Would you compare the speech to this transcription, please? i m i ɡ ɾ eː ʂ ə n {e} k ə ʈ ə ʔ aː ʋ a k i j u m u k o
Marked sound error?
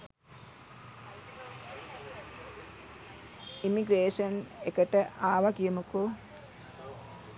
no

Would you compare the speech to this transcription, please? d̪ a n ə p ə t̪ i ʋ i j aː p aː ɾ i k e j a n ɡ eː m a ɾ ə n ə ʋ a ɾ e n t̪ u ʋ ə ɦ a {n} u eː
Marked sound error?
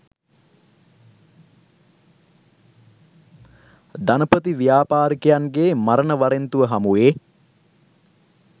yes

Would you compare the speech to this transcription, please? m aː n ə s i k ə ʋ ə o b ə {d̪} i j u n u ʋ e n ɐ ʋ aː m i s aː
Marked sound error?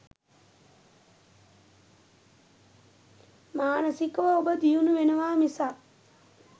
no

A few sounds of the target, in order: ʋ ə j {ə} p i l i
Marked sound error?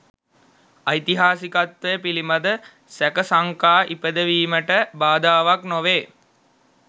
no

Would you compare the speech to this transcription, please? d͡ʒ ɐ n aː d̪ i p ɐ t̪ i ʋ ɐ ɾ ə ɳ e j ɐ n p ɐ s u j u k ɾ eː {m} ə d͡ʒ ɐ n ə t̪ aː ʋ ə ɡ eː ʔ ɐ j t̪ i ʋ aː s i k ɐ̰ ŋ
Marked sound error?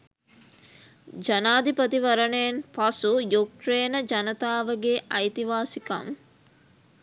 yes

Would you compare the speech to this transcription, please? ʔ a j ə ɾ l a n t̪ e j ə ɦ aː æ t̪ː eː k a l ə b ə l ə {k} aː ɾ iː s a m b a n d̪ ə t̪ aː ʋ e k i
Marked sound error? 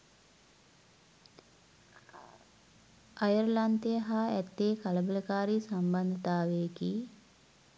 no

